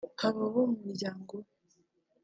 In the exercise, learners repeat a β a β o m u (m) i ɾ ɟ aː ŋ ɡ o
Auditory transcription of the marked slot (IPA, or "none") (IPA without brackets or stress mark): m